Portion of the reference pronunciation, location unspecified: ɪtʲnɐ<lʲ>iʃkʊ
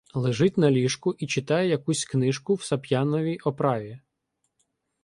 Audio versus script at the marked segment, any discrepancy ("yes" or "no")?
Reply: no